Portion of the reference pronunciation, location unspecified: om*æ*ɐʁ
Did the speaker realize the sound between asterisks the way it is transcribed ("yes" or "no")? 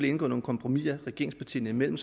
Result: no